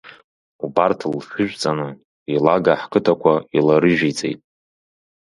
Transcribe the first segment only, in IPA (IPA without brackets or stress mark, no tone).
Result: u